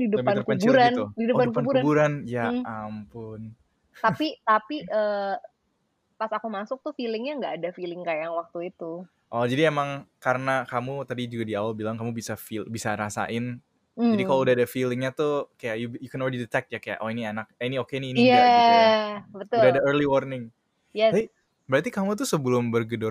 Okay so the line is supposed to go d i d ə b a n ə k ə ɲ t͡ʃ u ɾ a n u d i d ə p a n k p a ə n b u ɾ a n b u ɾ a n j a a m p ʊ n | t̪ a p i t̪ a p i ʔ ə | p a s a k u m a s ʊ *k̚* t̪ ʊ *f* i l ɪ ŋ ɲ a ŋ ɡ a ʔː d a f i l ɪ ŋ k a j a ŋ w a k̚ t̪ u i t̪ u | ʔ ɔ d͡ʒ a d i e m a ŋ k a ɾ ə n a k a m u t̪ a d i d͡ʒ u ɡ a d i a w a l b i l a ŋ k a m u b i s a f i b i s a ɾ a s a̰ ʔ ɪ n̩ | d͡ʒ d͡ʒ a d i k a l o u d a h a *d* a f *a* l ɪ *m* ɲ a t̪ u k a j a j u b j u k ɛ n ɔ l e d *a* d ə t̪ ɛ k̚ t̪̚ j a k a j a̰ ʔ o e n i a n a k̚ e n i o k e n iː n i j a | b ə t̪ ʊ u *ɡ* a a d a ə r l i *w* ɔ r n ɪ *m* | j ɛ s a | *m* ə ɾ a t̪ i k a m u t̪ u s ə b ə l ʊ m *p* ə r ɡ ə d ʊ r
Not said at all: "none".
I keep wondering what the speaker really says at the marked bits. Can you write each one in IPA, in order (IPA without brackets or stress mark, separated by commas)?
k̚, f, d, i, ŋ, i, d, w, ŋ, b, b